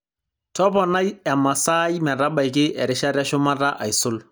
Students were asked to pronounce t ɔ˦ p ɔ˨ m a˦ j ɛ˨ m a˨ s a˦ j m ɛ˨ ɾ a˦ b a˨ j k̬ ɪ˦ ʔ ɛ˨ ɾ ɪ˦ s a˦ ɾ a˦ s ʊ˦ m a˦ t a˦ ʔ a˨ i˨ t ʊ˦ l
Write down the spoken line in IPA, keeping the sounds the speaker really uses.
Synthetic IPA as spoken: t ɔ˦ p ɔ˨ n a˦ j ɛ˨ m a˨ s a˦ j m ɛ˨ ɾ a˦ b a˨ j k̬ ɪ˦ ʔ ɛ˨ ɾ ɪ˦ ʃ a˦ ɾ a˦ ʃ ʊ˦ m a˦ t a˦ ʔ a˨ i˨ s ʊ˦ l

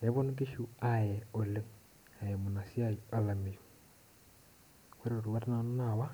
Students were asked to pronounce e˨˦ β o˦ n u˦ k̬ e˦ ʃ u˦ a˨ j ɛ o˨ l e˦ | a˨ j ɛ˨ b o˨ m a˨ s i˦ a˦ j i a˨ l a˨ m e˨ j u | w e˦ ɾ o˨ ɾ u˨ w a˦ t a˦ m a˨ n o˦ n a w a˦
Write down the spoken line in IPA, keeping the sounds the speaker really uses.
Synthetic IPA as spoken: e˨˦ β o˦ n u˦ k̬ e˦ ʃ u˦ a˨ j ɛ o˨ l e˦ | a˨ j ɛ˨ m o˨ n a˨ s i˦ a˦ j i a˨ l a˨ m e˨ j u | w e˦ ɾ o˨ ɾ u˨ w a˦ t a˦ n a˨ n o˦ n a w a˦

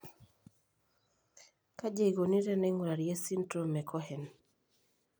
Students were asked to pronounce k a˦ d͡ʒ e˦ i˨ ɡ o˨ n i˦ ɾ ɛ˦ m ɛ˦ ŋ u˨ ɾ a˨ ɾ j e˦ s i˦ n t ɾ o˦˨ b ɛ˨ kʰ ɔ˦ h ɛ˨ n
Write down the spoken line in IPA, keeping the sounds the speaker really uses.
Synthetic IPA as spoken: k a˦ d͡ʒ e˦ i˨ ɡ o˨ n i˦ ɾ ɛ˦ n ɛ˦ ŋ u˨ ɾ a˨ ɾ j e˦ s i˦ n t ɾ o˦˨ m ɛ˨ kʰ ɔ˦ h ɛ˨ n

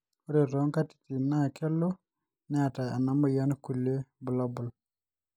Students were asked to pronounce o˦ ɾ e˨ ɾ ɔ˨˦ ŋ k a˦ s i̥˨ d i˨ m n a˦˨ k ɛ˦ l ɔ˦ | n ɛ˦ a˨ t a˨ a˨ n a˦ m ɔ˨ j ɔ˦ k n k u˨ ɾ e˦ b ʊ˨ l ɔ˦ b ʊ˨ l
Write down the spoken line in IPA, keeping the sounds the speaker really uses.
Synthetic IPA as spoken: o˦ ɾ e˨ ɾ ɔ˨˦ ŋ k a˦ t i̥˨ t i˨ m n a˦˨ k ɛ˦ l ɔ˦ | n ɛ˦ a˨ t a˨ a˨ n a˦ m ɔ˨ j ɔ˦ n k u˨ l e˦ b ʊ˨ l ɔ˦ b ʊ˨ l

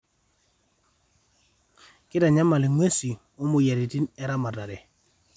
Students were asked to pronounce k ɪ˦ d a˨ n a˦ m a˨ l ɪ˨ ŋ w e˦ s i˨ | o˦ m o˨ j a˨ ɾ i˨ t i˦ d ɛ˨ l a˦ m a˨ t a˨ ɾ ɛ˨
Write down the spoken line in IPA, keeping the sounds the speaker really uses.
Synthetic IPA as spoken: k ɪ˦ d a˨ ɲ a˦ m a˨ l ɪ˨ ŋ w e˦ s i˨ | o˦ m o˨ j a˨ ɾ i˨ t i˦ n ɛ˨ ɾ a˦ m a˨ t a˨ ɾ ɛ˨

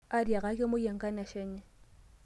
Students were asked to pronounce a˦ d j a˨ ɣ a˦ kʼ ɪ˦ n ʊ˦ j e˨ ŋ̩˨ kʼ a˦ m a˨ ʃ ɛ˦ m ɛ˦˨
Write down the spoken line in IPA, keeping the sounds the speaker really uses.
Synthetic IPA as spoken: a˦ d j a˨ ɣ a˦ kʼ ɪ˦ m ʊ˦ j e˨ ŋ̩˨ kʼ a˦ n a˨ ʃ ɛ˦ ɲ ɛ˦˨

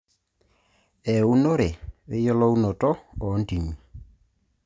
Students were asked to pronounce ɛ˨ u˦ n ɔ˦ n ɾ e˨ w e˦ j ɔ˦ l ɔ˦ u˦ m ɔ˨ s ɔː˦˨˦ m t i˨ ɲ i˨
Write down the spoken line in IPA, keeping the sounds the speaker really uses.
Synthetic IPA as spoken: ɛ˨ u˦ n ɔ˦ ɾ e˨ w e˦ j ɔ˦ l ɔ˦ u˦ n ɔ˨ t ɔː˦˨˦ n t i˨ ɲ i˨

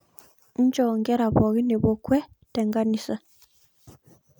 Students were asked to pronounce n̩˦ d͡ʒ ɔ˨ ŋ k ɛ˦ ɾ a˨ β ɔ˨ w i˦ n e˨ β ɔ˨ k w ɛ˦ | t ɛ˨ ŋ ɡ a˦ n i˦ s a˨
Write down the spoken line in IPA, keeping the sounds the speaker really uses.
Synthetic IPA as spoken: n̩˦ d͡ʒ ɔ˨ ŋ ɡ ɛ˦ ɾ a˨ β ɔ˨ ɣ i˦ n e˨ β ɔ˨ k w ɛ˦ | t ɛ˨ ŋ ɡ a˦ n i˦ s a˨

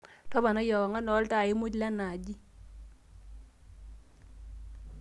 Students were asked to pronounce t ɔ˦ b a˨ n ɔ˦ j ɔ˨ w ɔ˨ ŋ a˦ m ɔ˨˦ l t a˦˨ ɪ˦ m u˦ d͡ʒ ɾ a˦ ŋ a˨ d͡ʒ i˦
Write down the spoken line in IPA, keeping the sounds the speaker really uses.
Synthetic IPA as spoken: t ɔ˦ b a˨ n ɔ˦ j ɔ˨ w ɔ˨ ŋ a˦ n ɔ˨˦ l t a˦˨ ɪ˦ m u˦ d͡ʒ l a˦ n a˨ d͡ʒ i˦

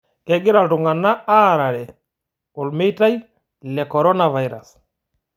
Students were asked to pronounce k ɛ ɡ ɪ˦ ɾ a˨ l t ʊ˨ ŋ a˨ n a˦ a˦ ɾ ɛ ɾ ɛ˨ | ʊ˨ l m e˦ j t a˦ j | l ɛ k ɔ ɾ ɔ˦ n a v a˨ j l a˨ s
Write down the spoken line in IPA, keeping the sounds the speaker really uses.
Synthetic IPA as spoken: k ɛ ɡ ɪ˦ ɾ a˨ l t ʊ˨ ŋ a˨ n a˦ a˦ ɾ a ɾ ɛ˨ | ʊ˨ l m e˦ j t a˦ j | l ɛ k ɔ ɾ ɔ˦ n a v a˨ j ɾ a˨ s

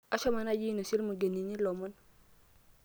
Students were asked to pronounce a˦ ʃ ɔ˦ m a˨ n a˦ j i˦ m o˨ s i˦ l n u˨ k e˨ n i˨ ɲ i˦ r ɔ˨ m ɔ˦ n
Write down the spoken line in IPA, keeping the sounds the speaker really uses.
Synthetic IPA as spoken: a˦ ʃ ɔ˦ m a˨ n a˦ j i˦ n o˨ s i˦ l m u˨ ɡ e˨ n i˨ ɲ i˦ l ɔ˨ m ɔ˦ n

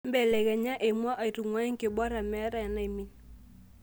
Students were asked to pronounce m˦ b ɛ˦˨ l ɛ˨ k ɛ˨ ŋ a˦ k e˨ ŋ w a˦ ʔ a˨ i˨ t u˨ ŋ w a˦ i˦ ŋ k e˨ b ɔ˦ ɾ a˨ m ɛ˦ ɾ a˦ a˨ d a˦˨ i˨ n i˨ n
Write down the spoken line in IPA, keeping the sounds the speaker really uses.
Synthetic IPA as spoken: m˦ b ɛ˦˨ l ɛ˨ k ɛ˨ ɲ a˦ ʔ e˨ m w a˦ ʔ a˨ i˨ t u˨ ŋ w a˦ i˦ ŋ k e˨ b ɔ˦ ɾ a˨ m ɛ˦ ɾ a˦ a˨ n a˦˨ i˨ m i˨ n

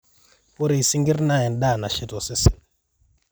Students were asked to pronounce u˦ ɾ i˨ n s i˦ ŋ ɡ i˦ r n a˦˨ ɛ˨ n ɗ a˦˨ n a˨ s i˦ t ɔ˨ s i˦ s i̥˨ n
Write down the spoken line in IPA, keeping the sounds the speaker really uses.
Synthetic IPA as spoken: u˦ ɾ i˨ s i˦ ŋ ɡ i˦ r n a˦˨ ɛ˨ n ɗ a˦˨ n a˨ ʃ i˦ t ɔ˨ s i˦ s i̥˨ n

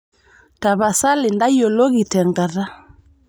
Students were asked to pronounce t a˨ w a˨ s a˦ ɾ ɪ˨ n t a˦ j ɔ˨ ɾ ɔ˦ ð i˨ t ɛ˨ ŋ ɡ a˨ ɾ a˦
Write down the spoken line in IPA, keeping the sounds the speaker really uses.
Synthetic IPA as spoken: t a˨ β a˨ s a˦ l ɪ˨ n d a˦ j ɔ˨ l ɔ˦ ɣ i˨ t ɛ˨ ŋ ɡ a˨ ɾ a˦

